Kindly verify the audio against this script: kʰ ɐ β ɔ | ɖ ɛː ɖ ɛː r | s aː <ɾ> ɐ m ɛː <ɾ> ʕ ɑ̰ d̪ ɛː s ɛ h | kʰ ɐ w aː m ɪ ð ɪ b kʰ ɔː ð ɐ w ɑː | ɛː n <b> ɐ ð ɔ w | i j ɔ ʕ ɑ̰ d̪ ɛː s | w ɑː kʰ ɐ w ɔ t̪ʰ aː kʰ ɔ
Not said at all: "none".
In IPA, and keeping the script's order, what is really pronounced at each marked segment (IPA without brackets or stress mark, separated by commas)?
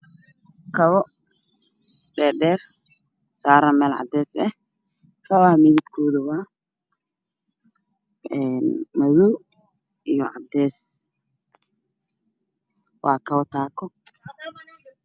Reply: ɾ, l, m